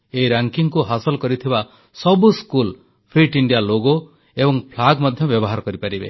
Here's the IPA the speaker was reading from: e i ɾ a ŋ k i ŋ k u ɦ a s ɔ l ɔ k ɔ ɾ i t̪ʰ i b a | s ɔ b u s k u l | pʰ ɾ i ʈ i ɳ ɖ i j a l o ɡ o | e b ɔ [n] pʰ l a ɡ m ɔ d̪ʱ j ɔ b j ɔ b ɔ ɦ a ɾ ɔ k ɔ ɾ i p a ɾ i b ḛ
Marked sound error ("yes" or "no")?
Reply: yes